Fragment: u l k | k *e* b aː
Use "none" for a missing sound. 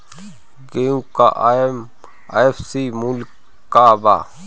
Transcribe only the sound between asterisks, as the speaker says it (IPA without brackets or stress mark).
a